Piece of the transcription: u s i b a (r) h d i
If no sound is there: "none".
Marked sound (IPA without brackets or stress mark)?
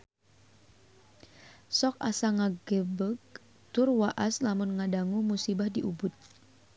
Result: none